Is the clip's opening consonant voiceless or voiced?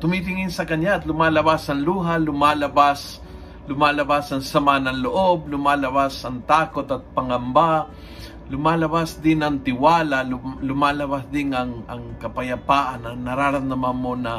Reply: voiceless